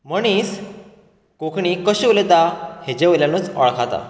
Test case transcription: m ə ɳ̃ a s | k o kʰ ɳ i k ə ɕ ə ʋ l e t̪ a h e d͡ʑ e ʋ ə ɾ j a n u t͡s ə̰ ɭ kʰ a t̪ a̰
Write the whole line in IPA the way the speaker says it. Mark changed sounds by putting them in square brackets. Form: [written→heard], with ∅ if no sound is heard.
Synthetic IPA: m ə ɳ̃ [a→i] s | k o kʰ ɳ i k ə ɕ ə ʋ l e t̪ a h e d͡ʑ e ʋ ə [ɾ→l] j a n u t͡s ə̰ ɭ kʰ a t̪ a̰